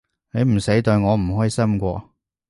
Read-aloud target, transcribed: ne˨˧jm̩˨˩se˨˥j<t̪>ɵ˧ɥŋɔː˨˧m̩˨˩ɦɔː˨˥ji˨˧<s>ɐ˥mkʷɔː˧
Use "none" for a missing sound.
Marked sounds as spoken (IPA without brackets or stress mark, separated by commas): t̪, s